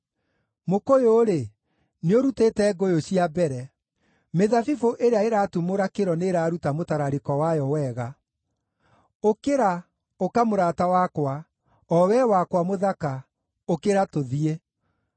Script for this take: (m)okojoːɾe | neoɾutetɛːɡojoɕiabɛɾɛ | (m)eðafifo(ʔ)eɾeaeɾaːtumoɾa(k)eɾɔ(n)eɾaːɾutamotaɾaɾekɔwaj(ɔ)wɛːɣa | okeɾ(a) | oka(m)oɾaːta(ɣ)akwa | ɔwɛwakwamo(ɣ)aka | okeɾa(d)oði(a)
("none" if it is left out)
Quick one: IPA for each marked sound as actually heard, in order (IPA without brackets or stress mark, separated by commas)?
m, m, ʔ, k, n, ɔ, a, m, w, ð, t, e